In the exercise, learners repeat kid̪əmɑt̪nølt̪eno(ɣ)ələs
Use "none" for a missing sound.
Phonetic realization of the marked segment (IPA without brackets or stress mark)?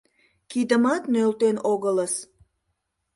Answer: ɣ